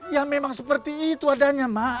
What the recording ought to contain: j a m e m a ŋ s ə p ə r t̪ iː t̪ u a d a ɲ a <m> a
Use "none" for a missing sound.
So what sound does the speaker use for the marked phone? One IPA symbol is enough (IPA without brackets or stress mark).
m